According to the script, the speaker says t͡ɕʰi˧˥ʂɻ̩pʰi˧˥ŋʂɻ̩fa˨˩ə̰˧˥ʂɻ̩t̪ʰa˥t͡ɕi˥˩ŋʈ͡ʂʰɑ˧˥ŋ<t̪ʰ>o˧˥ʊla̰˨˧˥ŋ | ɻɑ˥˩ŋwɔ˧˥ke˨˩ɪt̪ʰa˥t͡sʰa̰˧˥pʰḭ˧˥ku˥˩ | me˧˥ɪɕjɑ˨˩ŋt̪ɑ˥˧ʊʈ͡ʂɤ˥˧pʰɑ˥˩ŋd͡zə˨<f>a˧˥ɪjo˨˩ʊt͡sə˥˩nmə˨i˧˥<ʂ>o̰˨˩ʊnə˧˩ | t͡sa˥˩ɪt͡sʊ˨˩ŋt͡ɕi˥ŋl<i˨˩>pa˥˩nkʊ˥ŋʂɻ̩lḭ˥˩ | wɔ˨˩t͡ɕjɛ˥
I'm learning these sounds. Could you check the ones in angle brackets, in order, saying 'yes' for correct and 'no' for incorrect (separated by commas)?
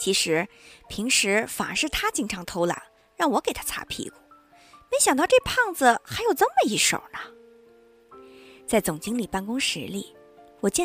yes, no, yes, yes